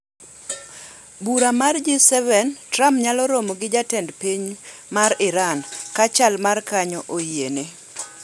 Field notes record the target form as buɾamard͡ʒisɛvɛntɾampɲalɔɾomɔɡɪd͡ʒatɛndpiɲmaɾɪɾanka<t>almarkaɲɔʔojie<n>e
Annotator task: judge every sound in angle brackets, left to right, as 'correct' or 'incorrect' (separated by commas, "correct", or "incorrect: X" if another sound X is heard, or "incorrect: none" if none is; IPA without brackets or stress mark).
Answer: incorrect: t͡ʃ, correct